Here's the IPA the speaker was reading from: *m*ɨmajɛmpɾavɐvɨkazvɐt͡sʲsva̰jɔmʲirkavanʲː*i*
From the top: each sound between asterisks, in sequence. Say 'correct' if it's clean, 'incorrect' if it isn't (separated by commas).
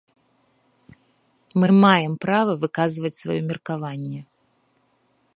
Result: correct, incorrect